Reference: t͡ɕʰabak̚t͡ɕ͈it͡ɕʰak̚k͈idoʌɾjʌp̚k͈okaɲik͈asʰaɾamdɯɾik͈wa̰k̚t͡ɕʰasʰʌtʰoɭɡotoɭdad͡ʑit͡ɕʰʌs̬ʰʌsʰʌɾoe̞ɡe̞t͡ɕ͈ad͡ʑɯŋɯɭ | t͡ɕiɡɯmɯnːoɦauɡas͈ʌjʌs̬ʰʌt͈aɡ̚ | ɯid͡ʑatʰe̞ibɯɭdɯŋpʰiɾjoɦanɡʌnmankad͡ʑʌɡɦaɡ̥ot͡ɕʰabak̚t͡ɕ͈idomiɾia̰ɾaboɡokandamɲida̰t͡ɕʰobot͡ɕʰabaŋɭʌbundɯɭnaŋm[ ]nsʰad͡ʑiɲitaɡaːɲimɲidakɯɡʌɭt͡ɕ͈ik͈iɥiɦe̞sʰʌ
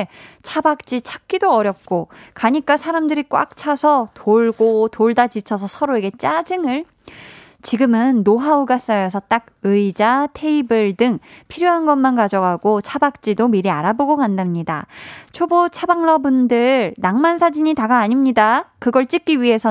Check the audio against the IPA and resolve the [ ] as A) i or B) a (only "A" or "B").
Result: B